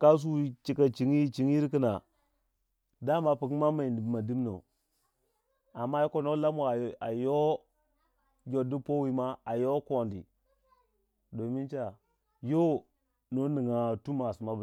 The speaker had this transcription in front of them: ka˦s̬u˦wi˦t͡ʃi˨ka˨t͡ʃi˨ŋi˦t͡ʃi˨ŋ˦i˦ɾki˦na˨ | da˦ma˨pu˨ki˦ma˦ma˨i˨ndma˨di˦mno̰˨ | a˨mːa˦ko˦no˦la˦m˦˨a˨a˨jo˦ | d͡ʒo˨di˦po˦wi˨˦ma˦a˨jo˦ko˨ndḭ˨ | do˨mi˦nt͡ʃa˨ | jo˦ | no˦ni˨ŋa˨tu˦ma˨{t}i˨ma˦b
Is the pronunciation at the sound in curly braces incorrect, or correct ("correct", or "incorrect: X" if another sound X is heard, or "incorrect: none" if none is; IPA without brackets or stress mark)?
incorrect: s